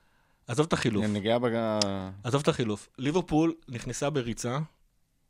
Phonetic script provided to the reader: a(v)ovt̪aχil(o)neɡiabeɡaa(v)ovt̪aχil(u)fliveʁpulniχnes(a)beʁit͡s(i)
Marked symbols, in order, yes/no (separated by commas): no, no, no, yes, yes, no